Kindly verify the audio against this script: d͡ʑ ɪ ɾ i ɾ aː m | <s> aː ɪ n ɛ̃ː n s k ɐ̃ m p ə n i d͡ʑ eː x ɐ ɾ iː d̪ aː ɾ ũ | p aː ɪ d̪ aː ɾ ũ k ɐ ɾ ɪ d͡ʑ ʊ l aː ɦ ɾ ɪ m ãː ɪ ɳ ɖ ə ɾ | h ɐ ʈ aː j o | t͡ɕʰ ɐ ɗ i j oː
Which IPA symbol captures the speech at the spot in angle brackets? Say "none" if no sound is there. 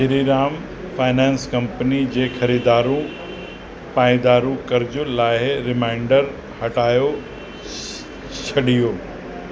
f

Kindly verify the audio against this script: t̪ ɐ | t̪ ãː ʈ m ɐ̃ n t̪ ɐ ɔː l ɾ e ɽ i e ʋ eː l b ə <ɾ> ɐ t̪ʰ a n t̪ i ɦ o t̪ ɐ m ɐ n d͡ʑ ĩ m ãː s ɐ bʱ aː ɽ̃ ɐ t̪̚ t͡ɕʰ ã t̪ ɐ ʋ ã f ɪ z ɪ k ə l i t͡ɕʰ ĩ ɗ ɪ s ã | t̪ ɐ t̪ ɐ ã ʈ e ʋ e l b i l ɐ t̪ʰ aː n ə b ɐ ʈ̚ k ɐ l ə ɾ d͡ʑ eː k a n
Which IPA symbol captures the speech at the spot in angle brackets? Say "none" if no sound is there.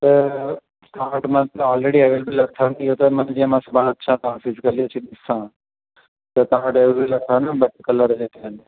l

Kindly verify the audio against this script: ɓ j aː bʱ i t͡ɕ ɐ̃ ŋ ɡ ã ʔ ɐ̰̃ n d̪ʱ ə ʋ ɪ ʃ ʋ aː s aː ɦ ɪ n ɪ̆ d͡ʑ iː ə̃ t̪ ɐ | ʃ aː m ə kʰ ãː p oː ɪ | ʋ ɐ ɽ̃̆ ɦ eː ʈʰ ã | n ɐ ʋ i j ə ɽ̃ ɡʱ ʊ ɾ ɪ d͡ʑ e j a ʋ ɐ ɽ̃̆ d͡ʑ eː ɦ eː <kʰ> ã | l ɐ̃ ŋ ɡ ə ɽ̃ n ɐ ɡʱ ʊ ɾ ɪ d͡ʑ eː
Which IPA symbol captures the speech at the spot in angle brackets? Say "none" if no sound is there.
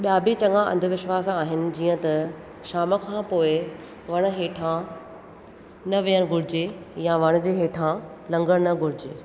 ʈʰ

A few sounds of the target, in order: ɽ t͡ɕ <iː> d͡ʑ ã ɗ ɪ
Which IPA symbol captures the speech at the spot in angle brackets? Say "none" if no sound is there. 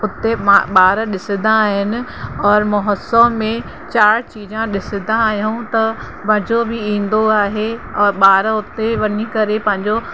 iː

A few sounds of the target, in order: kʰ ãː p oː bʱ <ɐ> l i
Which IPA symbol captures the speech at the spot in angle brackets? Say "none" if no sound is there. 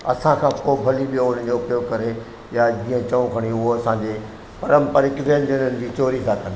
ɐ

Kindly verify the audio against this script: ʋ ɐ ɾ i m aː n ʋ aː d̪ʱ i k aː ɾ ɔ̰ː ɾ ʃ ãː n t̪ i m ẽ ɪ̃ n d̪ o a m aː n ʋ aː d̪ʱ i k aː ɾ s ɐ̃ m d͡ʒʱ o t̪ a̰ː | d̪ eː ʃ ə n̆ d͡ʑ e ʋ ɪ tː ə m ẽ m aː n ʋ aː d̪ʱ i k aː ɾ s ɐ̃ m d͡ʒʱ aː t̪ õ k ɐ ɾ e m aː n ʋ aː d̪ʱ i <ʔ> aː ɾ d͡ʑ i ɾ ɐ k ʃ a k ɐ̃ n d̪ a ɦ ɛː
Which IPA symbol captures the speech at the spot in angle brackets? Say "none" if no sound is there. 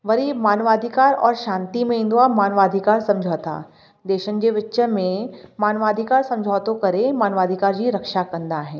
k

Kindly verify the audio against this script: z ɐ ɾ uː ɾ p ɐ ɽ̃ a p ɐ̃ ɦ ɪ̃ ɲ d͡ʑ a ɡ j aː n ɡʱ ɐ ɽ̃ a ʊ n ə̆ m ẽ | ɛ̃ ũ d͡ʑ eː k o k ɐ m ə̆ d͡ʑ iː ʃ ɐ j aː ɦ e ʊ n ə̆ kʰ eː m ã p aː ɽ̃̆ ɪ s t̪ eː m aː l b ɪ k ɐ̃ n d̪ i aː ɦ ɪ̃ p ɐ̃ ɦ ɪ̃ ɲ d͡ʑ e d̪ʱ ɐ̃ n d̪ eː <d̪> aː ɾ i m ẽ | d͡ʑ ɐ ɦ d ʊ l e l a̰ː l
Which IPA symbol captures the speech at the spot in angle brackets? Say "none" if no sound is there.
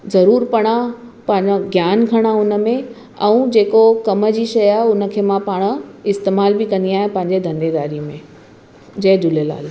d̪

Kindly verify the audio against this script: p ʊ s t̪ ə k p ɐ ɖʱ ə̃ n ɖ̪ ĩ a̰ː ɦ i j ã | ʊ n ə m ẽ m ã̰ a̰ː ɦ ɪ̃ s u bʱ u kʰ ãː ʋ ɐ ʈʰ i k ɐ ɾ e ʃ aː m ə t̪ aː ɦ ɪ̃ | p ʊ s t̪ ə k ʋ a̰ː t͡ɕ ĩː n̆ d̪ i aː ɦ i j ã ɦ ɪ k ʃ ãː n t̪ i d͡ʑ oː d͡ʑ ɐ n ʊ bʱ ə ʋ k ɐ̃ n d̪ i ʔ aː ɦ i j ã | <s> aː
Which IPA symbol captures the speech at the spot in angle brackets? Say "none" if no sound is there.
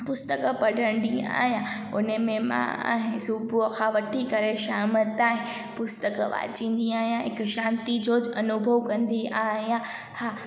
h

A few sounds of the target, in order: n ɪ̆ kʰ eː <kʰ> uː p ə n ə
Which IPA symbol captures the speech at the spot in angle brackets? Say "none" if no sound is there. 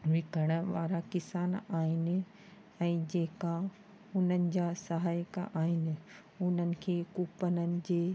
k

